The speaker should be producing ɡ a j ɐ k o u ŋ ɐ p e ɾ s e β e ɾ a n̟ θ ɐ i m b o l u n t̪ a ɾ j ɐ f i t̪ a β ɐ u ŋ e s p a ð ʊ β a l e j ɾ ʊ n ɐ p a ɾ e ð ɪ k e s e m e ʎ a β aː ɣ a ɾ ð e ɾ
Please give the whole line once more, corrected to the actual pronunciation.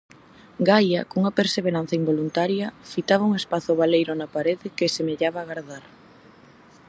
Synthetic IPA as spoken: ɡ a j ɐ k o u ŋ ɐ p e ɾ s e β e ɾ a n̟ θ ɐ i m b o l u n t̪ a ɾ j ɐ f i t̪ a β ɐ u ŋ e s p a θ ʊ β a l e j ɾ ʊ n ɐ p a ɾ e ð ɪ k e s e m e ʎ a β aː ɣ a ɾ ð a ɾ